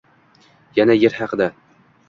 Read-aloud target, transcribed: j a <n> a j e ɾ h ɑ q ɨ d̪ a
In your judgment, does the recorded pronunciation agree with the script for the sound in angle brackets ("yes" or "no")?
yes